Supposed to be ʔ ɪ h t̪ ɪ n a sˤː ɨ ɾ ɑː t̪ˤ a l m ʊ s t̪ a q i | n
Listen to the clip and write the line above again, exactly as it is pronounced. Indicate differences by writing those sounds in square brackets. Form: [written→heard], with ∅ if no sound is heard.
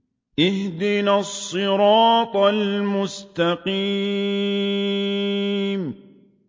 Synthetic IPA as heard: ʔ ɪ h [t̪→d̪] ɪ n a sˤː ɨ ɾ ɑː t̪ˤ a l m ʊ s t̪ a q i | [n→m]